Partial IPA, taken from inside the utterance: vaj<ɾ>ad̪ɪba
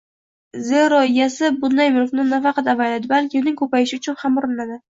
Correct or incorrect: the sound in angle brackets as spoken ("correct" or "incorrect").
incorrect